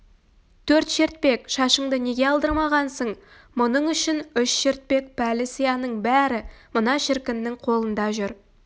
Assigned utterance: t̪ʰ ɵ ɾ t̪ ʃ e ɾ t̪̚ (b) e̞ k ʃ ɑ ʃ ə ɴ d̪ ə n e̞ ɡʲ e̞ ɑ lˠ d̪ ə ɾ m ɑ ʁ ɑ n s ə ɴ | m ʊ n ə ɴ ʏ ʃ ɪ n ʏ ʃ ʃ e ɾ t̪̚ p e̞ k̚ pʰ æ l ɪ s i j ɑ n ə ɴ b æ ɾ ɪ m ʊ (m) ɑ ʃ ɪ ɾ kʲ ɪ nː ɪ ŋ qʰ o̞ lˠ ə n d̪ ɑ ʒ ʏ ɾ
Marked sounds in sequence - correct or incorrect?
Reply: incorrect: p, incorrect: n

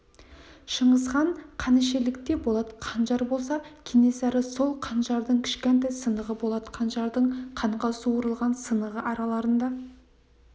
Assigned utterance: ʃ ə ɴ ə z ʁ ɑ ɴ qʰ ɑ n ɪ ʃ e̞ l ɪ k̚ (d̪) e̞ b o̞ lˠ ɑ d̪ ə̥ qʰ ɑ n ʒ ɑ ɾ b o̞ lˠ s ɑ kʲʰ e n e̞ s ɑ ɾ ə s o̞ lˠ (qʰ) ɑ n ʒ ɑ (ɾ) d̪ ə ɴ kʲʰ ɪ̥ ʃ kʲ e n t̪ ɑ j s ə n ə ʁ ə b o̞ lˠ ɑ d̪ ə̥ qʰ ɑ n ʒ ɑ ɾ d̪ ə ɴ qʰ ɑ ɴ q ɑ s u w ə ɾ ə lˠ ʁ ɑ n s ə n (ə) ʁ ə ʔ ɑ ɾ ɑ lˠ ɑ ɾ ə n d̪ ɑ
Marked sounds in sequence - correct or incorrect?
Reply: incorrect: t̪, correct, correct, correct

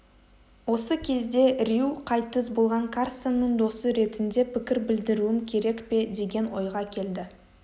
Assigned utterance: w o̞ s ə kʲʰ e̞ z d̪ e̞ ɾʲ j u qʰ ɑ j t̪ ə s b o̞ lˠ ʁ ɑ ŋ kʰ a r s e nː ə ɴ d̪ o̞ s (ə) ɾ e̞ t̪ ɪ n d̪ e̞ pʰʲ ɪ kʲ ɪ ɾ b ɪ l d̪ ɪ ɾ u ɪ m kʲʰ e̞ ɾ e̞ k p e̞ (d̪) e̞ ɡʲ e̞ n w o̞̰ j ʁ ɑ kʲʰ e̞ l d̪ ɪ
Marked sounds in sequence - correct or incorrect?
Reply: correct, correct

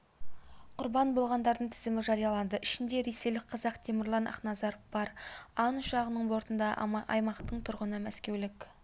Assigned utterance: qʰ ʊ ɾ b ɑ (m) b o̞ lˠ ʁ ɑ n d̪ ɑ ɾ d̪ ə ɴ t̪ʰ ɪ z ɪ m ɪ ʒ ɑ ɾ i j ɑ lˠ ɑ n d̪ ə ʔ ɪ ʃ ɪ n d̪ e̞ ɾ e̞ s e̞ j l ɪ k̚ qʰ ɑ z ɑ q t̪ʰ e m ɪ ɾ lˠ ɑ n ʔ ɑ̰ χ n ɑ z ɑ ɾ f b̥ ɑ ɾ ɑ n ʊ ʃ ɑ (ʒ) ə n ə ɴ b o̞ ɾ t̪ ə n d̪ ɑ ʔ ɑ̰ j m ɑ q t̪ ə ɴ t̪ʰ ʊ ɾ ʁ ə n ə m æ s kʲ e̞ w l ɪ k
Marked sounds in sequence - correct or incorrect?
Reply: incorrect: n, incorrect: ʁ

